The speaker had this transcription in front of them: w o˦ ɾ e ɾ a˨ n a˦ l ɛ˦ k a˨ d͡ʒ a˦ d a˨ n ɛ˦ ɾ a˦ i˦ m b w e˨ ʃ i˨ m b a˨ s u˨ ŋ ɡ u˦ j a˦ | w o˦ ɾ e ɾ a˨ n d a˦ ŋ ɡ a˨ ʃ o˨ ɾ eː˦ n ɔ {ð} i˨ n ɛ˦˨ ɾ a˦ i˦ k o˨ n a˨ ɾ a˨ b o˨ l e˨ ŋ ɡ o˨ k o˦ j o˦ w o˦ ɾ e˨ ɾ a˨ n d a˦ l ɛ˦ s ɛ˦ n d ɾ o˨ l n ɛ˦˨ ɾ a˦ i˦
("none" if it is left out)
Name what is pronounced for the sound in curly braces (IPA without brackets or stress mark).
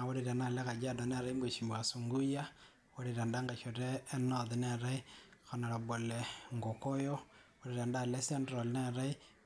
ð